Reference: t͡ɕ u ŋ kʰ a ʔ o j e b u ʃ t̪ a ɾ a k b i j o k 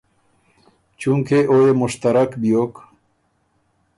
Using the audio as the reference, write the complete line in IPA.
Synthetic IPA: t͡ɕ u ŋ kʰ e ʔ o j e m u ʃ t̪ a ɾ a k b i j o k